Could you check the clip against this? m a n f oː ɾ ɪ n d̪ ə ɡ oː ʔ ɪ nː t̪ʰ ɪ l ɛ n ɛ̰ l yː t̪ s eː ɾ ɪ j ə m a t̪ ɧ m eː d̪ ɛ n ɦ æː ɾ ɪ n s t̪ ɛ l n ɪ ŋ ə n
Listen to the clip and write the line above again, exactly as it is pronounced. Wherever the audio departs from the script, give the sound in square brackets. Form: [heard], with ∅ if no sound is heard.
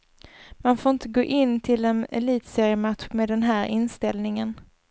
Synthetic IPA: m a n f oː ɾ ɪ n [t̪] ə ɡ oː ʔ ɪ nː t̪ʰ ɪ l ɛ n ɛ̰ l [iː] t̪ s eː ɾ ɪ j ə m a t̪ ɧ m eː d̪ ɛ n ɦ æː ɾ ɪ n s t̪ ɛ l n ɪ ŋ ə n